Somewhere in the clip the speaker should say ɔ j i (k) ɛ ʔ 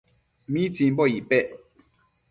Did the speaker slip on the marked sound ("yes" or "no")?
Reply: yes